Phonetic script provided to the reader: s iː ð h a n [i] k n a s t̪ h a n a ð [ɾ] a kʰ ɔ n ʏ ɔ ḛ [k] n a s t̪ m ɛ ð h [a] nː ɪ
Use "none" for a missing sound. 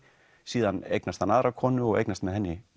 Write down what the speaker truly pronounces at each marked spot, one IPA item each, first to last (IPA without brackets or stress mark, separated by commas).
e, ɾ, k, ɛ